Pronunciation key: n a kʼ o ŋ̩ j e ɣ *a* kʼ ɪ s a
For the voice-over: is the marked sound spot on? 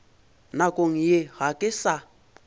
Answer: yes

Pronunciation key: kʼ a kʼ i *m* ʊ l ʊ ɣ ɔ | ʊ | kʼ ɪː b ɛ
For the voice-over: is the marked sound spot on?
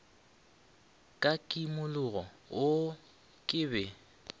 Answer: yes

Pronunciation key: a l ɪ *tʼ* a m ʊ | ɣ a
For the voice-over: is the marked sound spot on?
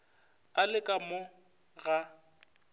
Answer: no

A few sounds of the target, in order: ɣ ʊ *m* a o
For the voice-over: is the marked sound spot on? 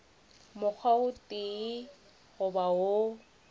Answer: no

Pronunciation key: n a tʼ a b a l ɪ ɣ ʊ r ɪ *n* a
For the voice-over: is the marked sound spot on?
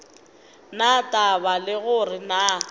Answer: yes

